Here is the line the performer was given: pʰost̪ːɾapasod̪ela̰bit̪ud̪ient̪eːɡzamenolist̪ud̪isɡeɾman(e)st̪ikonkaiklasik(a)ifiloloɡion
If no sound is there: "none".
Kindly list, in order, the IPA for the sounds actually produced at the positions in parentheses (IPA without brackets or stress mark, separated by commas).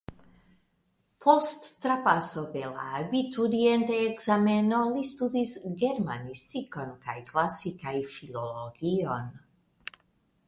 i, a